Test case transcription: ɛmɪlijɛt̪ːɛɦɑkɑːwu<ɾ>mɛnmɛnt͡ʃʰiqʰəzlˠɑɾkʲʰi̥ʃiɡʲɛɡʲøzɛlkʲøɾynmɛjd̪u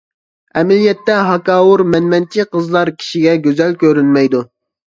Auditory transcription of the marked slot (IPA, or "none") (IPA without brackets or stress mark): ɾ